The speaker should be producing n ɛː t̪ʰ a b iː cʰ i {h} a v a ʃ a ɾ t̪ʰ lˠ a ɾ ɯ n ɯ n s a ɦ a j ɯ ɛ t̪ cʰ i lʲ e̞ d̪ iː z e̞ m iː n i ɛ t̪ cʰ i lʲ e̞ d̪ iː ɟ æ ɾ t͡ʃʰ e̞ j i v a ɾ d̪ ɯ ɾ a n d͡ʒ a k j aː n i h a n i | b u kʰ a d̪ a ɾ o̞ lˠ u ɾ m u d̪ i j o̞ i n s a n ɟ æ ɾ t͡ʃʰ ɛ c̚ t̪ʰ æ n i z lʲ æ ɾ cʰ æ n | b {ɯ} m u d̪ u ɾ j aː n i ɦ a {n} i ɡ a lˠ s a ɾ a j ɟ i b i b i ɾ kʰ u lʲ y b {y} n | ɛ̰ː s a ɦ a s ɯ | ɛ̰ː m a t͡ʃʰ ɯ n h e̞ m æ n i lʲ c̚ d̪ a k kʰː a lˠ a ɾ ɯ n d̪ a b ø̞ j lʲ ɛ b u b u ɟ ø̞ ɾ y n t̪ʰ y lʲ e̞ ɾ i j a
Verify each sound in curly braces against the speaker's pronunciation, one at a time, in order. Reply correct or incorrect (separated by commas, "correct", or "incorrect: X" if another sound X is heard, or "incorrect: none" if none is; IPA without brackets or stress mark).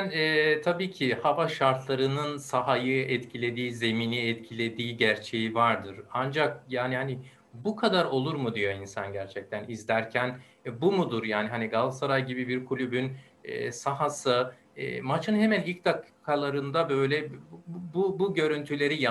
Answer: correct, incorrect: u, correct, correct